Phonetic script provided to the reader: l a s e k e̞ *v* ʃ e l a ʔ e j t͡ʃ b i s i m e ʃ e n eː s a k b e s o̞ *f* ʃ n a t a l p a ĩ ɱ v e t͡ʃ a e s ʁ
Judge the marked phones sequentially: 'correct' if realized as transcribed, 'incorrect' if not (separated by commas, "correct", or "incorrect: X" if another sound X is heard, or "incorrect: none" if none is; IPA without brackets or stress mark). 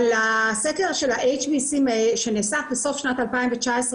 incorrect: ʁ, correct